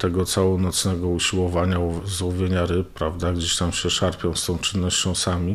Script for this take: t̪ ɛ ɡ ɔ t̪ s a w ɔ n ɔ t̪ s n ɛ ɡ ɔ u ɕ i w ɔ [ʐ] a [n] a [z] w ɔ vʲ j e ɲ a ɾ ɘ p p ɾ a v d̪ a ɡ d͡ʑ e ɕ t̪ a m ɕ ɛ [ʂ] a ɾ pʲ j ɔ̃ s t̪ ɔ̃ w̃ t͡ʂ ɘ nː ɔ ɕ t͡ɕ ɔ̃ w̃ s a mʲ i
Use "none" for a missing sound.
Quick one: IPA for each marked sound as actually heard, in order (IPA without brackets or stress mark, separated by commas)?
v, ɲ, z, ʂ